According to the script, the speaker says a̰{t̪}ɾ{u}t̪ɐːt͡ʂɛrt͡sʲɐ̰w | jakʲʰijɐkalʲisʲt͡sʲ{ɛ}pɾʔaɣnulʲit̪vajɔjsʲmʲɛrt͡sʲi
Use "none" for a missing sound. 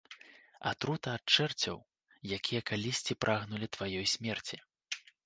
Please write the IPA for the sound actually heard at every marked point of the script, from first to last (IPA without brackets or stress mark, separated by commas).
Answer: t̪, u, i